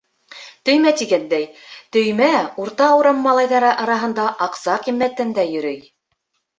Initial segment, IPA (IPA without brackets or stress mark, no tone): t̪